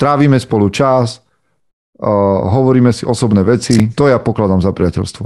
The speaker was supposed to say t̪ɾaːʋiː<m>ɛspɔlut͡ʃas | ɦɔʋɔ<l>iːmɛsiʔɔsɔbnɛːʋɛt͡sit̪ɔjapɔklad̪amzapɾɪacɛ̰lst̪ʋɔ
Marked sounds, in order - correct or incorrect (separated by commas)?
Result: correct, incorrect